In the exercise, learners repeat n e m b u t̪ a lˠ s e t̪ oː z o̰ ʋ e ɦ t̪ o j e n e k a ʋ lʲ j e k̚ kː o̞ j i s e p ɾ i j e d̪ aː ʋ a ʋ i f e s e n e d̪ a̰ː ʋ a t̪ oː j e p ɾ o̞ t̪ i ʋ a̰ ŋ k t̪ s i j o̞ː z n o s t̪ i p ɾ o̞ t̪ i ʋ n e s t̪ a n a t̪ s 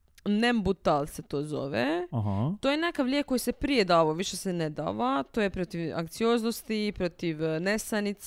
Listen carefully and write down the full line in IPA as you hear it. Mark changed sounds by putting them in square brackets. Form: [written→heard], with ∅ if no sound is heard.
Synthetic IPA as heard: n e m b u t̪ a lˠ s e t̪ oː z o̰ ʋ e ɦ t̪ o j e n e k a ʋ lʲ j e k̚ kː o̞ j i s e p ɾ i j e d̪ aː ʋ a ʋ i [f→ʃ] e s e n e d̪ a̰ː ʋ a t̪ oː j e p ɾ o̞ t̪ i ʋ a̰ ŋ k t̪ s i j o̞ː z n o s t̪ i p ɾ o̞ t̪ i ʋ n e s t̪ a n [a→i] t̪ s